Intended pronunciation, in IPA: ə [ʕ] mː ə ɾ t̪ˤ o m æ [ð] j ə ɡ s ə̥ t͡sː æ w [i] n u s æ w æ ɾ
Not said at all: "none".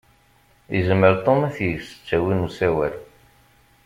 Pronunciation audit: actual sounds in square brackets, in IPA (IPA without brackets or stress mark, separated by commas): z, θ, i